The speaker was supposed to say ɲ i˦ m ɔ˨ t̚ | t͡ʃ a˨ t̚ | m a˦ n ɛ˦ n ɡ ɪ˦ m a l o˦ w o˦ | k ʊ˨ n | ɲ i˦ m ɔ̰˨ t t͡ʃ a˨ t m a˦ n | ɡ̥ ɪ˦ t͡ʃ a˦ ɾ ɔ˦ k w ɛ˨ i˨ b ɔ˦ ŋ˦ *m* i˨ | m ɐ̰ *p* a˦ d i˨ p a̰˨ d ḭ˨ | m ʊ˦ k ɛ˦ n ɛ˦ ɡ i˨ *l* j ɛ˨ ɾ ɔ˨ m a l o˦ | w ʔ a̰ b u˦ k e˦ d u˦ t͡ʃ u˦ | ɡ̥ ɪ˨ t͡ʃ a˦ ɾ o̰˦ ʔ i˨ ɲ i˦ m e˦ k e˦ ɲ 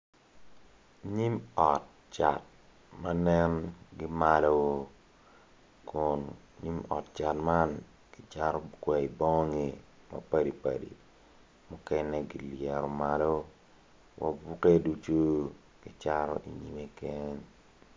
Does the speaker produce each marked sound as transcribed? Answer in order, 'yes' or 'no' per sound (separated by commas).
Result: no, yes, yes